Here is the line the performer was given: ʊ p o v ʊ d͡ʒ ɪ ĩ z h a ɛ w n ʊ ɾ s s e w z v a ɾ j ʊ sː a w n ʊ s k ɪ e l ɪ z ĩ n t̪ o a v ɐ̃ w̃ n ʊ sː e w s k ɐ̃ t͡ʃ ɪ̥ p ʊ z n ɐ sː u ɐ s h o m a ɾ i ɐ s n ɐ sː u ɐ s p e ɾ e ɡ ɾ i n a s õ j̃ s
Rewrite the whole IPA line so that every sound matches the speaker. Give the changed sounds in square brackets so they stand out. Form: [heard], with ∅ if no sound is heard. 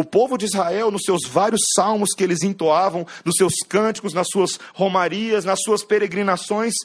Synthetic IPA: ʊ p o v ʊ d͡ʒ ɪ [i] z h a ɛ w n ʊ [∅] s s e w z v a ɾ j ʊ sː a w [m] ʊ s k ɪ e l ɪ z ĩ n t̪ o a v ɐ̃ w̃ n ʊ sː e w s k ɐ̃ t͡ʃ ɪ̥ [k] ʊ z n ɐ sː u ɐ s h o m a ɾ i ɐ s n ɐ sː u ɐ s p e ɾ e ɡ ɾ i n a s õ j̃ s